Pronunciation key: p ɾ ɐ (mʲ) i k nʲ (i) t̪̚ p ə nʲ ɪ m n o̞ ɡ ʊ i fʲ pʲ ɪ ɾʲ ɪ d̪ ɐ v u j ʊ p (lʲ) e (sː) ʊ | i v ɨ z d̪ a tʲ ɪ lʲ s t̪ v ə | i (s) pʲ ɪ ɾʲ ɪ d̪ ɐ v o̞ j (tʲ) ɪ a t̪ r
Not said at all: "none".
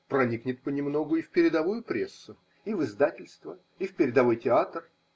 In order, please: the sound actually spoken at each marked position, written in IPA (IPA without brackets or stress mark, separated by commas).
nʲ, ɪ, ɾʲ, sː, f, tʲ